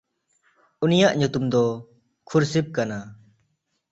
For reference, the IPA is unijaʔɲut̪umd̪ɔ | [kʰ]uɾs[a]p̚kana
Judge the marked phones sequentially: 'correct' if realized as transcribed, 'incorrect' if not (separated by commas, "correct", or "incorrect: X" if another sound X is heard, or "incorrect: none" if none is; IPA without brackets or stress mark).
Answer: correct, incorrect: i